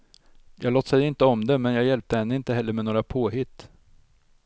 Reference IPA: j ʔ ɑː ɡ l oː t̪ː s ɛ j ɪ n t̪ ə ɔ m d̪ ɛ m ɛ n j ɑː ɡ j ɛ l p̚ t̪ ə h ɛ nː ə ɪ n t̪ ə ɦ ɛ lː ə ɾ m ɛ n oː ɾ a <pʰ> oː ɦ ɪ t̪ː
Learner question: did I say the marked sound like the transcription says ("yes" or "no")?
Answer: yes